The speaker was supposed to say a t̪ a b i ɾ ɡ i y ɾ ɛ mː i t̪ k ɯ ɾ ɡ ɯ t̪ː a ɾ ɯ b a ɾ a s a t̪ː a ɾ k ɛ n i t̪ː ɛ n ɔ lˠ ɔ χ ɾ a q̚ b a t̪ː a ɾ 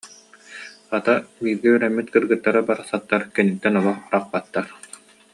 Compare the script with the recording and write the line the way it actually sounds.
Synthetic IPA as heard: a t̪ a b iː ɾ ɡ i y ɾ ɛ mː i t̪ k ɯ ɾ ɡ ɯ t̪ː a ɾ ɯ b a ɾ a s a t̪ː a ɾ k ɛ n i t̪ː ɛ n ɔ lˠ ɔ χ ɾ a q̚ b a t̪ː a ɾ